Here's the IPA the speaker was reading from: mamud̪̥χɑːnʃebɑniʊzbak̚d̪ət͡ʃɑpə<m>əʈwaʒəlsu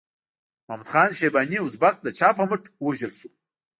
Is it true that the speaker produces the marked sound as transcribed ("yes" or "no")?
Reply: yes